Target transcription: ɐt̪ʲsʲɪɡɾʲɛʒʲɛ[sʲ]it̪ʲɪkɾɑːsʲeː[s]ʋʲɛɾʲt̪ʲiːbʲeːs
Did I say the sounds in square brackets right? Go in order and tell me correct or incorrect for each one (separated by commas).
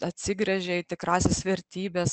incorrect, correct